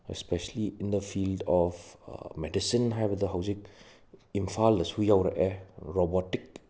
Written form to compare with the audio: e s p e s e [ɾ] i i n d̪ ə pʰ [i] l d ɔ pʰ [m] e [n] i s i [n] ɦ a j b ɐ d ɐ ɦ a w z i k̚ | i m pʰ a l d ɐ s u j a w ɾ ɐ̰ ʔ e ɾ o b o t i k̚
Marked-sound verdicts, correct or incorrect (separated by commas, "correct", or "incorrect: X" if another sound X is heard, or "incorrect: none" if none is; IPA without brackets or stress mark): incorrect: l, correct, correct, incorrect: d, correct